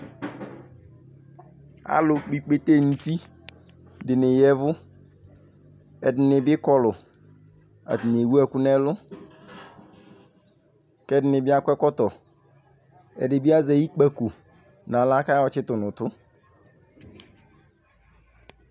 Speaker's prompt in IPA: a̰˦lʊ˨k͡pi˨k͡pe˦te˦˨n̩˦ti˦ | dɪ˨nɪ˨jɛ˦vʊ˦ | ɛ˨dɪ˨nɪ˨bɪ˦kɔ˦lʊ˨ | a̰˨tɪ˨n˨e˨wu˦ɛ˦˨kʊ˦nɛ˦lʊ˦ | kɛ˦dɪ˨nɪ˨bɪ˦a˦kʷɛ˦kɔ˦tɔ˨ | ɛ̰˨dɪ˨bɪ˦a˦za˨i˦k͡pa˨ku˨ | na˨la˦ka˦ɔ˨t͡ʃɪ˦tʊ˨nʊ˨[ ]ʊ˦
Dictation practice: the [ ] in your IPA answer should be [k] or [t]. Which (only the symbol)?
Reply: t